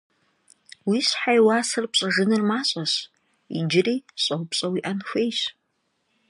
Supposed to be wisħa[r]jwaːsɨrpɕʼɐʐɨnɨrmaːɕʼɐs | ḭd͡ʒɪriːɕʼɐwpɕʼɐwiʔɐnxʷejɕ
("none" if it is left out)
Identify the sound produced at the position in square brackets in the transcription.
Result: none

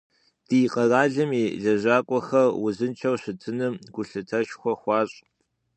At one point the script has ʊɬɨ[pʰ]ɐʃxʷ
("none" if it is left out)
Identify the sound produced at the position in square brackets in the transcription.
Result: tʰ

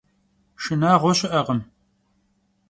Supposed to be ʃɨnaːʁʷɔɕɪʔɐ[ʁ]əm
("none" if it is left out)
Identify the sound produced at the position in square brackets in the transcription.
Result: ʁ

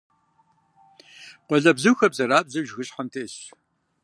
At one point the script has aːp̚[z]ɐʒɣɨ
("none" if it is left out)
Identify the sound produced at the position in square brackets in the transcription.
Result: z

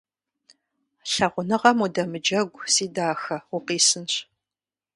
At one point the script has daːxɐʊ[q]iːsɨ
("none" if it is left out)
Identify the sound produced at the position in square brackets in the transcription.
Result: q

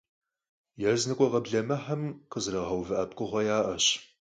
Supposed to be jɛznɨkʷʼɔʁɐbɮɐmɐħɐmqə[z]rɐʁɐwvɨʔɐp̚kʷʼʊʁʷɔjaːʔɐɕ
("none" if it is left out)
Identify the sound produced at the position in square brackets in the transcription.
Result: z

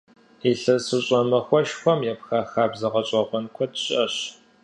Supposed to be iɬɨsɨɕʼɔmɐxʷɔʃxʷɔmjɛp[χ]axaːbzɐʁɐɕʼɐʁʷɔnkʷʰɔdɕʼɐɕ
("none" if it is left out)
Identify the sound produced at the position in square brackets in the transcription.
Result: x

